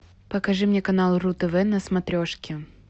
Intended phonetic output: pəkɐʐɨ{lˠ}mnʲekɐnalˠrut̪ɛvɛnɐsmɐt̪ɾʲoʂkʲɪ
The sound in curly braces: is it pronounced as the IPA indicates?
no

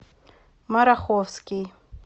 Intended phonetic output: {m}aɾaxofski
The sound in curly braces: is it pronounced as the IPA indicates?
yes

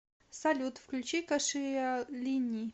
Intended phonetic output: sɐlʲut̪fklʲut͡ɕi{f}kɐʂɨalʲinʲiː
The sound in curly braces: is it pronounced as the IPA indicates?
no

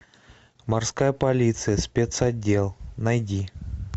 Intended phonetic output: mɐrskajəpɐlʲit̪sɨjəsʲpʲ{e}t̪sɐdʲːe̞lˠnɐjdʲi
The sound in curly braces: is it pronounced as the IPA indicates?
yes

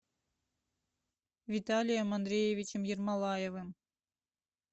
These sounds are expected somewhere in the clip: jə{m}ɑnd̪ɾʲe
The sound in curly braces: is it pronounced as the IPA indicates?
yes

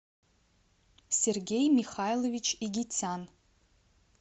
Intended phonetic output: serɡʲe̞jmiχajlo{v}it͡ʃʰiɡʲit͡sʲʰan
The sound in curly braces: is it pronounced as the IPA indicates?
yes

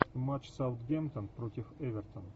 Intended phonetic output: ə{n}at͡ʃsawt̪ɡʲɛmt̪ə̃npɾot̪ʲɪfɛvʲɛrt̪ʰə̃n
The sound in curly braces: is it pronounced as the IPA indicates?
no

